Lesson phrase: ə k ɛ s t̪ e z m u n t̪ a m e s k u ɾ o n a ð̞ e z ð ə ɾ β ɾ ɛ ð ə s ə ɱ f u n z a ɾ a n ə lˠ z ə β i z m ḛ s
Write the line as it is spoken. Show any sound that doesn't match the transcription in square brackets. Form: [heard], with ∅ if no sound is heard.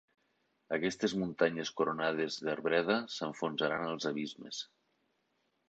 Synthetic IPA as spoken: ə k ɛ s t̪ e z m u n t̪ a [ɲ] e s k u ɾ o n a ð̞ e z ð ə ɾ β ɾ ɛ ð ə s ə ɱ f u n z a ɾ a n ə lˠ z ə β i z m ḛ s